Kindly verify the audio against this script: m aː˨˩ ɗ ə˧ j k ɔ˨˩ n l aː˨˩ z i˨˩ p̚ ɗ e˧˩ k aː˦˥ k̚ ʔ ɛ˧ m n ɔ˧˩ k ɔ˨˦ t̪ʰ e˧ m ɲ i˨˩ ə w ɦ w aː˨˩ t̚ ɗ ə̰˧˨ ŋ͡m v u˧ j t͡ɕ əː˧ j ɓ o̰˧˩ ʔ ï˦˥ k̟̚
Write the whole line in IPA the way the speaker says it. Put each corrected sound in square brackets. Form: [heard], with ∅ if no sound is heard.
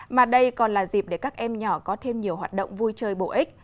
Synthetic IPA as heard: m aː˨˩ ɗ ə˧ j k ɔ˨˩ n l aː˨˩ z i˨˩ p̚ ɗ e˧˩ k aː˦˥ k̚ ʔ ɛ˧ m [ɲ] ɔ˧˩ k ɔ˨˦ t̪ʰ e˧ m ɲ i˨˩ ə w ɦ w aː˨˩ t̚ ɗ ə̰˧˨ ŋ͡m v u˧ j t͡ɕ əː˧ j ɓ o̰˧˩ ʔ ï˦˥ k̟̚